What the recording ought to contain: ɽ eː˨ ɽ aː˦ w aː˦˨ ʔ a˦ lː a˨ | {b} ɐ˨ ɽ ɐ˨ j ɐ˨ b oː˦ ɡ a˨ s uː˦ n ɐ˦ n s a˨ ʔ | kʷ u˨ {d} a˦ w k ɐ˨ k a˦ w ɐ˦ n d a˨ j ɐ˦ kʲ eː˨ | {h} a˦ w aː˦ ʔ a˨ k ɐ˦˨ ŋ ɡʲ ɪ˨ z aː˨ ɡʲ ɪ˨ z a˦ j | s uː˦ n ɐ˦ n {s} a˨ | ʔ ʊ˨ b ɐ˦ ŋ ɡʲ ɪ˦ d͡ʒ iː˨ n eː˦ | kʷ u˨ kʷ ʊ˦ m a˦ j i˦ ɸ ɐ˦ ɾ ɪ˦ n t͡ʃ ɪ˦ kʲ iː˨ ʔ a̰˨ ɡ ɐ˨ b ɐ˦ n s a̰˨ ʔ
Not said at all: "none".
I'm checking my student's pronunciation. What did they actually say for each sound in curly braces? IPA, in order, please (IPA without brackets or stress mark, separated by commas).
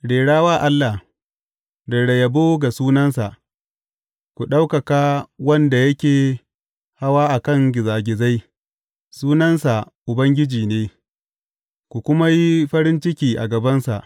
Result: d, ɗ, h, s